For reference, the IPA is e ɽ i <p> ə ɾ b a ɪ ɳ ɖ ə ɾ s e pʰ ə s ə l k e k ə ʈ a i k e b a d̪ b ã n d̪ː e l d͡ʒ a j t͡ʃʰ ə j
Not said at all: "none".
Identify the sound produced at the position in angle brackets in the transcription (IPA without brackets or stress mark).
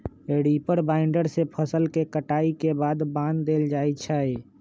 p